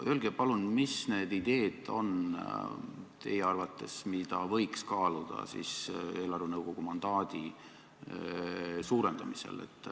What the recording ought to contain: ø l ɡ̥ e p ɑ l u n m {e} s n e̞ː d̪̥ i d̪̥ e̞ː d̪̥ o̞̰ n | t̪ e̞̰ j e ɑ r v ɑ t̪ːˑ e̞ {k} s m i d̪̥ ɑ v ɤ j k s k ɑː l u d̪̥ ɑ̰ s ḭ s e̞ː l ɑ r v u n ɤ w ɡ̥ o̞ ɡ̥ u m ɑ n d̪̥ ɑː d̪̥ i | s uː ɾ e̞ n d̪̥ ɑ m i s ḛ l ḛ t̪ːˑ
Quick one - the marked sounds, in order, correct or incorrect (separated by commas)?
incorrect, incorrect